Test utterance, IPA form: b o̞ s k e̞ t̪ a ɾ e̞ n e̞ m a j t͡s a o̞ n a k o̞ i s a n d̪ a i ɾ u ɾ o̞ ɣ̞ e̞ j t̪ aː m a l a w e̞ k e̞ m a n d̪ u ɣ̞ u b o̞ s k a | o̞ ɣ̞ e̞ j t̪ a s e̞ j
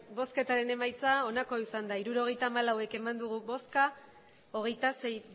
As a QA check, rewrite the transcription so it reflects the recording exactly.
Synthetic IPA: b o̞ s k e̞ t̪ a ɾ e̞ n e̞ m a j t͡s a o̞ n a k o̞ i s a n d̪ a i ɾ u ɾ o̞ ɣ̞ e̞ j t̪ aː m a l a w e̞ k e̞ m a n d̪ u ɣ̞ u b o̞ s k a | o̞ ɣ̞ e̞ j t̪ a s e̞ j